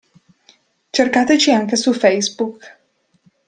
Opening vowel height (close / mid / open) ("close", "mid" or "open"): mid